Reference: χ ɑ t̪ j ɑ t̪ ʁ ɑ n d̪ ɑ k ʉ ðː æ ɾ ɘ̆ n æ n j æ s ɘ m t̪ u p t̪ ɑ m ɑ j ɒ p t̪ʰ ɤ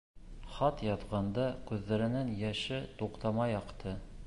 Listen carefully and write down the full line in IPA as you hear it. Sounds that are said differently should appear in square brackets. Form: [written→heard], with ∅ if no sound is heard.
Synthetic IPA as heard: χ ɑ t̪ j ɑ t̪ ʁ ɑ n d̪ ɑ k ʉ ðː æ ɾ ɘ̆ n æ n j æ [s→ʃ] ɘ [m→∅] t̪ u [p→q] t̪ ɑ m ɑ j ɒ [p→q] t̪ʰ ɤ